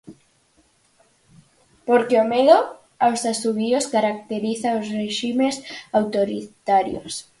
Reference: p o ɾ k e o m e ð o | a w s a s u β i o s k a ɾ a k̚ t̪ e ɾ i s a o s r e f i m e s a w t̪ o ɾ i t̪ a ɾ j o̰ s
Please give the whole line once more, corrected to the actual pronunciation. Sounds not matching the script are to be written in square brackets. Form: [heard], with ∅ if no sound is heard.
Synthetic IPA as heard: p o ɾ k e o m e ð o | a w s a s u β i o s k a ɾ a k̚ t̪ e ɾ i [θ] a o s r e [ʃ] i m e s a w t̪ o ɾ i t̪ a ɾ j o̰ s